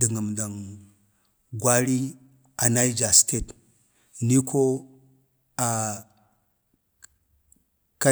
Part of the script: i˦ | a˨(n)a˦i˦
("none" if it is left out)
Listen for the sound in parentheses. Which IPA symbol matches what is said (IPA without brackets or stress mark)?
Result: n